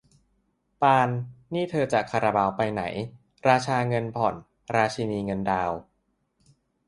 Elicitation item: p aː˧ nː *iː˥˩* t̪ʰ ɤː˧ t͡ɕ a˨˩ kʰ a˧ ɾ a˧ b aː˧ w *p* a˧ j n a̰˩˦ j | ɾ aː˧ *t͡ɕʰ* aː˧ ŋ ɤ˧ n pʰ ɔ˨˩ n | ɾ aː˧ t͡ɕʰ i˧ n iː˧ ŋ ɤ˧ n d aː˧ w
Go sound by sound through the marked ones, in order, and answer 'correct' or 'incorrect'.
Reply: correct, correct, correct

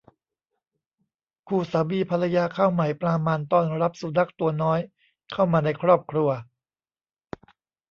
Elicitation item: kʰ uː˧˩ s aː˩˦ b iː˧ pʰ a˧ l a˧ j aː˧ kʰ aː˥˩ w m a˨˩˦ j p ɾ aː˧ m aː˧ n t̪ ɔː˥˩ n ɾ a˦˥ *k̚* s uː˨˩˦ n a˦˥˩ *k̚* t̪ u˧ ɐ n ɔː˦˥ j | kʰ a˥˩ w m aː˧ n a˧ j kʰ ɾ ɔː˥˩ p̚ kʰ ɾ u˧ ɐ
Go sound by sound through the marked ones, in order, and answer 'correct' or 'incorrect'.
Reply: incorrect, correct

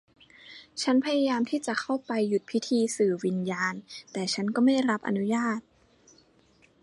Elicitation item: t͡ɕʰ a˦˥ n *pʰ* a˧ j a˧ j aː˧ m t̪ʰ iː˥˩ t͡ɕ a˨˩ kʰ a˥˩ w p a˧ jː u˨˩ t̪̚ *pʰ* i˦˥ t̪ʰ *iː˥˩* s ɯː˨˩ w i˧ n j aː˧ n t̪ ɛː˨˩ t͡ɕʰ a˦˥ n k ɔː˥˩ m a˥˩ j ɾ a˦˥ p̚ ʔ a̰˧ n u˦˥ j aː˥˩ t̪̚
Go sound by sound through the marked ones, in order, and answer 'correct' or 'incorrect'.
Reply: correct, correct, incorrect

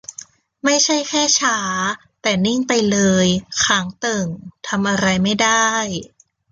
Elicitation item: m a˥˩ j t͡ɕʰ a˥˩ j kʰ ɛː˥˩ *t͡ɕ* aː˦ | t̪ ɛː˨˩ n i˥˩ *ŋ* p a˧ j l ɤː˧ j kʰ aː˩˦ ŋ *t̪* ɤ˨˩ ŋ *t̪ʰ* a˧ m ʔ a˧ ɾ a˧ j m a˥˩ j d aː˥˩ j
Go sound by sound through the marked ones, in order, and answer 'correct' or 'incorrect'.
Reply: incorrect, correct, correct, correct

